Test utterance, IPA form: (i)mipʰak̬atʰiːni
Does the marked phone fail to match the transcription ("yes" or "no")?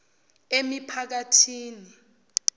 yes